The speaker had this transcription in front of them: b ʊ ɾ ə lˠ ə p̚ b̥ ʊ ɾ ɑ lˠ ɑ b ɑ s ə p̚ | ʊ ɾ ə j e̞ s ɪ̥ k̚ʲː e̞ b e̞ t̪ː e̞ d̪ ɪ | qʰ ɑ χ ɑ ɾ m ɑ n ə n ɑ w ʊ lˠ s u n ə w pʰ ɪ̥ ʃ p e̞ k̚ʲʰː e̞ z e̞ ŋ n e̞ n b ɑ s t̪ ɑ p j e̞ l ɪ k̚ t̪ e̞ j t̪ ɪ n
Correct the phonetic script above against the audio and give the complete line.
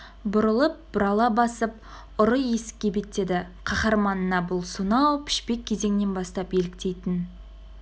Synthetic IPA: b ʊ ɾ ə lˠ ə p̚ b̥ ʊ ɾ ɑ lˠ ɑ b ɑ s ə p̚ | ʊ ɾ ə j e̞ s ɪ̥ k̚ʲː e̞ b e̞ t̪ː e̞ d̪ ɪ | qʰ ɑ χ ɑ ɾ m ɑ n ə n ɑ b ʊ lˠ s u n ɑ w pʰ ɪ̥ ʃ p e̞ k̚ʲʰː e̞ z e̞ ŋ n e̞ n b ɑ s t̪ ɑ p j e̞ l ɪ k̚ t̪ e̞ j t̪ ɪ n